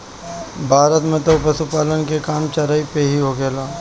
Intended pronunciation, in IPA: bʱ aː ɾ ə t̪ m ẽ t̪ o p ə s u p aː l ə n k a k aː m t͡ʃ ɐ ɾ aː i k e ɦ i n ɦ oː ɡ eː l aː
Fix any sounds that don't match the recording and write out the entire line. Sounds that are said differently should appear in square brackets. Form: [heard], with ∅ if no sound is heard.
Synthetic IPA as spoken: bʱ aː ɾ ə t̪ m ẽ t̪ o p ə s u p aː l ə n k [e] k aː m t͡ʃ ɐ ɾ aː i [p] e ɦ i [∅] ɦ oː ɡ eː l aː